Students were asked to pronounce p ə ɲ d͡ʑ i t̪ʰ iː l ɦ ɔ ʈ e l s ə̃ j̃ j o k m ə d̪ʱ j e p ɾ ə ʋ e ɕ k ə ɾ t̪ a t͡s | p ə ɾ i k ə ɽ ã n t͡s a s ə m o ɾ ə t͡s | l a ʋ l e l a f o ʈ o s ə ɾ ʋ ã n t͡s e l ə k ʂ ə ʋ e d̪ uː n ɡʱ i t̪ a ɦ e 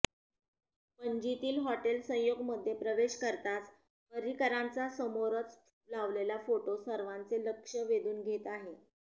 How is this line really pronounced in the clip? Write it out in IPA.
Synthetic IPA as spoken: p ə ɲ d͡ʑ i t̪ iː l ɦ ɔ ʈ e l s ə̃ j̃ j o ɡ m ə d̪ʱ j e p ɾ ə ʋ e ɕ k ə ɾ t̪ a t͡s | p ə ɾ i k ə ɾ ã n t͡s a s ə m o ɾ ə t͡s | l a ʋ l e l a f o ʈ o s ə ɾ ʋ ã n t͡s e l ə k ʂ ə ʋ e d̪ uː n ɡʱ e t̪ a ɦ e